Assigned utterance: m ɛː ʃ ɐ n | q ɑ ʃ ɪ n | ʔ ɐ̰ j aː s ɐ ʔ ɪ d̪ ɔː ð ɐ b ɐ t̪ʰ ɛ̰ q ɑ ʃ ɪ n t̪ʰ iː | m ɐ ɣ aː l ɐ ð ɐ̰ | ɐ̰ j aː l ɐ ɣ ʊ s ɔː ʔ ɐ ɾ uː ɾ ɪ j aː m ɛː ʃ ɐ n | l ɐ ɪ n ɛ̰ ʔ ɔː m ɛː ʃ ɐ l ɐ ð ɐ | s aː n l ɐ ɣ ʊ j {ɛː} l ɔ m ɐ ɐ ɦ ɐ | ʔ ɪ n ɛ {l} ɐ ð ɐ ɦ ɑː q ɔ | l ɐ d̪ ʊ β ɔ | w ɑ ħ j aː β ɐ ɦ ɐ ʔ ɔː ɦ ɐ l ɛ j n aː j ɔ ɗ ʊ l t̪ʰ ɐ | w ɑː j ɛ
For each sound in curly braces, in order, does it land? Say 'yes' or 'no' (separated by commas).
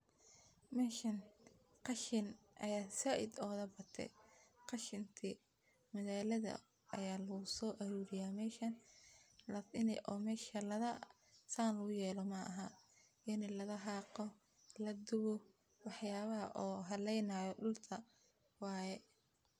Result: yes, yes